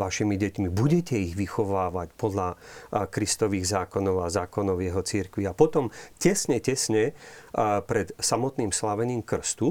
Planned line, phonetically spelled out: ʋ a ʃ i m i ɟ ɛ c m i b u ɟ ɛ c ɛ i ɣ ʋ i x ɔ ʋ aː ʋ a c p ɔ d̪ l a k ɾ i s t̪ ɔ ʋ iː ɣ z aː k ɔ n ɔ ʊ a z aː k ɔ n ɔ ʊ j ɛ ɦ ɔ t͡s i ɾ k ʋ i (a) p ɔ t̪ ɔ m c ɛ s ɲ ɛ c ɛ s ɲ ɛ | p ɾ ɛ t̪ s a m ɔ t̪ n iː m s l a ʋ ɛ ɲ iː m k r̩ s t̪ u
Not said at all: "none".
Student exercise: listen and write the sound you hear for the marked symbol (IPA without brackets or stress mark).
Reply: a